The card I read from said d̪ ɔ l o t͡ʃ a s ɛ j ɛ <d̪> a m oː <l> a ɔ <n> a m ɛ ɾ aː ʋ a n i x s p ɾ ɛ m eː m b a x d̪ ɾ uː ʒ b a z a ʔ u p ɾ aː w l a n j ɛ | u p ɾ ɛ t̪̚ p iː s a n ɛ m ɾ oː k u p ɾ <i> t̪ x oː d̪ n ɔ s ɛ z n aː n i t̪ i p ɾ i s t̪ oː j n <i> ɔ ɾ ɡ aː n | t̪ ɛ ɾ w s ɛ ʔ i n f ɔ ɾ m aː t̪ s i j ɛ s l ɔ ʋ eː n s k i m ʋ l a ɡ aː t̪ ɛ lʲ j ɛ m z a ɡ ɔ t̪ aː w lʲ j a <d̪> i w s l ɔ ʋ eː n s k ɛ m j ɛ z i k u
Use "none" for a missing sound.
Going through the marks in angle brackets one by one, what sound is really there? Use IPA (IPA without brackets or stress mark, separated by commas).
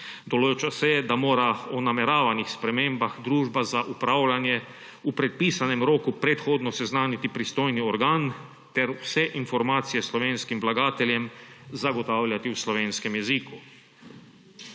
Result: d̪, ɾ, n, ɛ, i, t̪